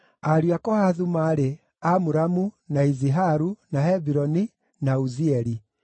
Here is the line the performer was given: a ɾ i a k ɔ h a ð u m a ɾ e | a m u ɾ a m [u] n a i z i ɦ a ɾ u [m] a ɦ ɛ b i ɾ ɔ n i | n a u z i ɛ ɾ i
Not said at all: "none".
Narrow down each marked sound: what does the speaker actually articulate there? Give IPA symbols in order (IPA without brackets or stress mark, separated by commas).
u, n